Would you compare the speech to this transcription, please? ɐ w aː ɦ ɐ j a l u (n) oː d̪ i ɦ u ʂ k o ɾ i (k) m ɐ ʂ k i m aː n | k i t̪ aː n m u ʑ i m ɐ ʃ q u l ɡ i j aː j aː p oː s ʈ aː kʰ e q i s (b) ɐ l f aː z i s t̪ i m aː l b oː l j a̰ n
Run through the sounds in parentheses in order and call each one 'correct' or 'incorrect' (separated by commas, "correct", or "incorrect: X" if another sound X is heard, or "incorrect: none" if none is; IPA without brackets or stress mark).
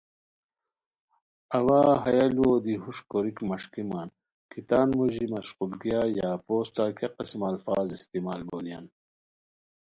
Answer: incorrect: none, correct, incorrect: m